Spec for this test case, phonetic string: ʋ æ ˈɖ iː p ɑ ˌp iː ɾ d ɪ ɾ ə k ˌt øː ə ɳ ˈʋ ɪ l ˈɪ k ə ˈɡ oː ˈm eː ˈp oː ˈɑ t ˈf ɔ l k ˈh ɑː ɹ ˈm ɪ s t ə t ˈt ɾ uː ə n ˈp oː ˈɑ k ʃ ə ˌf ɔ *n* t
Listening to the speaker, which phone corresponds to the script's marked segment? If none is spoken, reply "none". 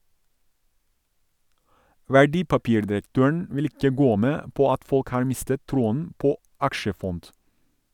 n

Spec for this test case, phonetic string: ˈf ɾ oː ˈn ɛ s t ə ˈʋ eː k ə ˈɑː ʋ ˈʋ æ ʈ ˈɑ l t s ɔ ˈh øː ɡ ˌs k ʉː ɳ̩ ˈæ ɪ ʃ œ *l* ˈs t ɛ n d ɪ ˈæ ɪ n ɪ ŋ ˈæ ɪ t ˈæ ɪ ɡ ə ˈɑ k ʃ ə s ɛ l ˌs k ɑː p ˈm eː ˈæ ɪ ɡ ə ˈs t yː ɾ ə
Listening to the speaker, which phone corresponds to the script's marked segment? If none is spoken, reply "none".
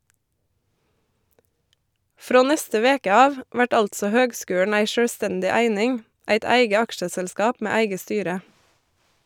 ɽ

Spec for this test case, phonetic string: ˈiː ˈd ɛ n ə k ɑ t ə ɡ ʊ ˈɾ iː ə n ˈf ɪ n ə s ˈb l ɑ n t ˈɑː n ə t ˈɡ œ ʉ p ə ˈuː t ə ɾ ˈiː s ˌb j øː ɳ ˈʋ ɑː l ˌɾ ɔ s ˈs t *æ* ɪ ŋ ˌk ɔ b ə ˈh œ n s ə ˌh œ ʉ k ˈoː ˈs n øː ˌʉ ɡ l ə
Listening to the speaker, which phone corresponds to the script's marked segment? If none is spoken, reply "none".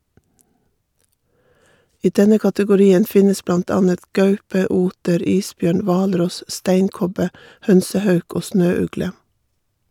æ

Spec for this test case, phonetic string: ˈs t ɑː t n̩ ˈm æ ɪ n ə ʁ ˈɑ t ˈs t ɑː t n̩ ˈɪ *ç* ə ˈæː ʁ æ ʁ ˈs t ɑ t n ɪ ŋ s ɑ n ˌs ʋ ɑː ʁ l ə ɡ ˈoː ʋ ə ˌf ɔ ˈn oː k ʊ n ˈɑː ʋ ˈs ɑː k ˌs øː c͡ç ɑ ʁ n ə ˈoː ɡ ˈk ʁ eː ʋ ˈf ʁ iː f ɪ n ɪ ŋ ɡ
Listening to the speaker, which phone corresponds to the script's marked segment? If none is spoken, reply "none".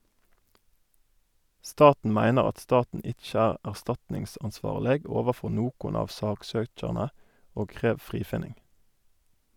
c͡ç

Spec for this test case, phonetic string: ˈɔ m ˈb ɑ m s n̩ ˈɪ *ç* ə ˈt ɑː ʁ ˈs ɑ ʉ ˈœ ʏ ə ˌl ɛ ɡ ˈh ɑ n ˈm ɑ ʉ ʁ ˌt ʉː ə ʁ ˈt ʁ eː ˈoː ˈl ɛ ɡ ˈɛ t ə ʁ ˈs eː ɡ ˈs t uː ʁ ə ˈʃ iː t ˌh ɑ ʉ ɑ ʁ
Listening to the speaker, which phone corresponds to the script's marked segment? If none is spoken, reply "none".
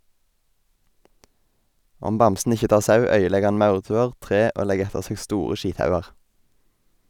ç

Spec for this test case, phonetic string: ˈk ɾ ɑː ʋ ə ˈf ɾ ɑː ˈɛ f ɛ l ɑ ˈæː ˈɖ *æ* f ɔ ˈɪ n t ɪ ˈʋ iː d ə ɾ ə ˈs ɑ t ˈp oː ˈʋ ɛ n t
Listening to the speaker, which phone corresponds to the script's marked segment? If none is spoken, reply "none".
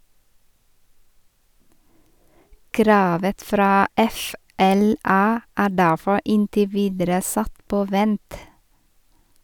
æ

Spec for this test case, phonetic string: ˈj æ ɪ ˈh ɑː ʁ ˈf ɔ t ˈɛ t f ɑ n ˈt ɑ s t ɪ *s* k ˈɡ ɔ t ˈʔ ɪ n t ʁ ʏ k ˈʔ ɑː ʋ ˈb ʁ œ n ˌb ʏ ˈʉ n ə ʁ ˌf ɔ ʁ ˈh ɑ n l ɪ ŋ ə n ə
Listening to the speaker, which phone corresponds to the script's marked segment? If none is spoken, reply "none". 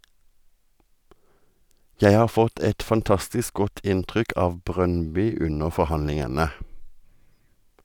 s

